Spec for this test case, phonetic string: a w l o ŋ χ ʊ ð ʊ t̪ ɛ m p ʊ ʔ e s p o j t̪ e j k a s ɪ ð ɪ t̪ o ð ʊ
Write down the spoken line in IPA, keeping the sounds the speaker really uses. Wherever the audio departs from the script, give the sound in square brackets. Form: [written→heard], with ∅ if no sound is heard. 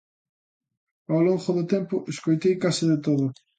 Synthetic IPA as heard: a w l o ŋ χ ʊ ð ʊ t̪ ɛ m p ʊ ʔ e s [p→k] o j t̪ e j k a s ɪ ð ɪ t̪ o ð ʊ